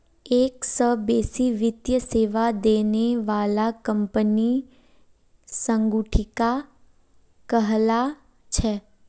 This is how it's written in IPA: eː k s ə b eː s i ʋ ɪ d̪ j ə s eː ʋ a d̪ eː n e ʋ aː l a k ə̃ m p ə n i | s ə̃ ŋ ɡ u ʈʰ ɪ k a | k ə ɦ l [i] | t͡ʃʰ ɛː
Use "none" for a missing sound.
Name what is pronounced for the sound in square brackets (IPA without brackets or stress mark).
a